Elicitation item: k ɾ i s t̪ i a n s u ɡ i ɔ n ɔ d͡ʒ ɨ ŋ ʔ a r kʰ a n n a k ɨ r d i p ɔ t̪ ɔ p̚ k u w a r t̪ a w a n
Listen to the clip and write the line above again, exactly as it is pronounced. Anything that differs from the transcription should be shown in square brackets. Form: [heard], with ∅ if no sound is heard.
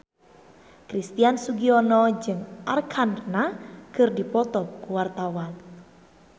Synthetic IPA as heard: k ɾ i s t̪ i a n s u ɡ i ɔ n ɔ d͡ʒ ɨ ŋ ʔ a r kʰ a n n a k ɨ r d i p ɔ t̪ ɔ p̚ k u w a r t̪ a w a n